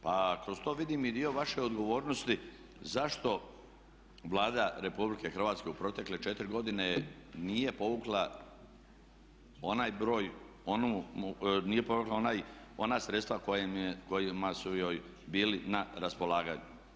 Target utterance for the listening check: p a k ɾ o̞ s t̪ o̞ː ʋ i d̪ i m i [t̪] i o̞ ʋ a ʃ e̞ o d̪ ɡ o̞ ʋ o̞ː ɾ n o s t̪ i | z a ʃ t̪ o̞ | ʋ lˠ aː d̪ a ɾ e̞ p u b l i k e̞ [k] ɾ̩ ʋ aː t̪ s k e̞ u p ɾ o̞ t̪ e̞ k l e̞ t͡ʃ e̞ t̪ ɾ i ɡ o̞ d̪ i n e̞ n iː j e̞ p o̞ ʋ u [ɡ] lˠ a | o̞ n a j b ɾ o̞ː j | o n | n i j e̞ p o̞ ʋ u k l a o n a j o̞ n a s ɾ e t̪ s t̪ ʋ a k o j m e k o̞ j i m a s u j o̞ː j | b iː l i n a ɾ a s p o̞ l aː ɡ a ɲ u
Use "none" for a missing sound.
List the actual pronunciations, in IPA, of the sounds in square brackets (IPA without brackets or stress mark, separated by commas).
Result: d̪, x, k